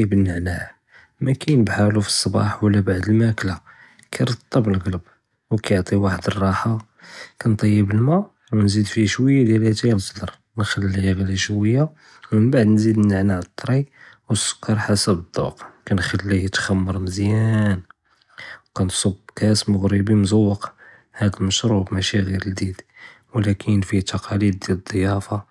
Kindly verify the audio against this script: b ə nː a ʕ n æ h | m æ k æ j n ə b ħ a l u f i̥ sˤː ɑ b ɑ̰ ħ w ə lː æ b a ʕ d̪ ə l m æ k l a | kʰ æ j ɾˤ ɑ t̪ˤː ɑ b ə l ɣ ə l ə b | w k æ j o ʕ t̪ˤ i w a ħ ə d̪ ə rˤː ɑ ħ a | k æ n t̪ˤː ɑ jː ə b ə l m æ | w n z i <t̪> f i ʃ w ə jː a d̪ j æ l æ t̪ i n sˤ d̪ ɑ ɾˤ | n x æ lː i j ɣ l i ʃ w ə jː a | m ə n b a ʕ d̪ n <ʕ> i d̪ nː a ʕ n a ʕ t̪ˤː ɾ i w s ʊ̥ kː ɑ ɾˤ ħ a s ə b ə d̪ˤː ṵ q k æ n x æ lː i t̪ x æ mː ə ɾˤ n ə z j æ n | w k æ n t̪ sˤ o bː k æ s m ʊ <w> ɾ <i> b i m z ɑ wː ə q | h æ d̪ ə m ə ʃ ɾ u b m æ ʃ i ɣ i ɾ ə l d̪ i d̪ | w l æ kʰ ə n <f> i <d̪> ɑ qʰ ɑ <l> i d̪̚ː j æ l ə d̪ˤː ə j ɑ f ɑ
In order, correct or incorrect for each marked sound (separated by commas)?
incorrect, incorrect, incorrect, correct, correct, incorrect, correct